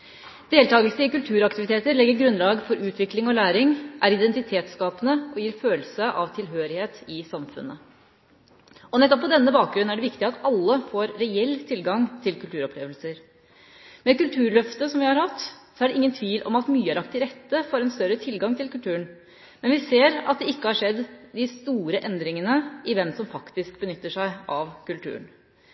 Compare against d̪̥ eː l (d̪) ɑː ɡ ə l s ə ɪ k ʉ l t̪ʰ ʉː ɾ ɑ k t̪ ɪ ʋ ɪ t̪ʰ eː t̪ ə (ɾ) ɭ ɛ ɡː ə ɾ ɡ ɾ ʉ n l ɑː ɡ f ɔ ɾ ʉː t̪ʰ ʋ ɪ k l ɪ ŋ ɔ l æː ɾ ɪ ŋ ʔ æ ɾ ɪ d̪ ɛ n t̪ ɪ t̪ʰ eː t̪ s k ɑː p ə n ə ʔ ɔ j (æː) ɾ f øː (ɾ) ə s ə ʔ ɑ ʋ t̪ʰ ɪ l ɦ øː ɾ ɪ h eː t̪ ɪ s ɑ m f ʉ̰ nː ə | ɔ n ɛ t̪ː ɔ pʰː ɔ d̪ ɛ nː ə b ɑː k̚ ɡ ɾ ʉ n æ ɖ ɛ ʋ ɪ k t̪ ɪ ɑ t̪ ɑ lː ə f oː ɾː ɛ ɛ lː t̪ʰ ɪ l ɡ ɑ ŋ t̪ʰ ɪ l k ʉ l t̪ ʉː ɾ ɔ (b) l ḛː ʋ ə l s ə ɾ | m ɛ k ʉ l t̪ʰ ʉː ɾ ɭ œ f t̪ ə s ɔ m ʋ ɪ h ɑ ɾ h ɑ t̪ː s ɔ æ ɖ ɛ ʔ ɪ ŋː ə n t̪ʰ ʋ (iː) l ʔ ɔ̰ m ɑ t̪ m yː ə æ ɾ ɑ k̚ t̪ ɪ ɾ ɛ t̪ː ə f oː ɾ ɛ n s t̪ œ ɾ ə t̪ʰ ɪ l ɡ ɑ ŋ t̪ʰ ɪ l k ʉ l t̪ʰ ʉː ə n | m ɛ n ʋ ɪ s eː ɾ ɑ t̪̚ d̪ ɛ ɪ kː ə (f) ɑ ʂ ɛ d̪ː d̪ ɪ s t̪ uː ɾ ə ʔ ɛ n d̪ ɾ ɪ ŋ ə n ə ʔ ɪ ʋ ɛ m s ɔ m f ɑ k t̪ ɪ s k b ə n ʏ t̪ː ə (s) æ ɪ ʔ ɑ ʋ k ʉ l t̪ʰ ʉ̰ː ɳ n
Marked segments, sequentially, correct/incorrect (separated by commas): incorrect, correct, incorrect, incorrect, incorrect, correct, incorrect, incorrect